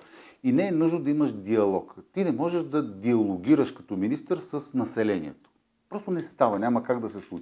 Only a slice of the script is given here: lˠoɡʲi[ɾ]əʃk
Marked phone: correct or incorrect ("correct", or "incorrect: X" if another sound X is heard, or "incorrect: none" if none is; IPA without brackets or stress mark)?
correct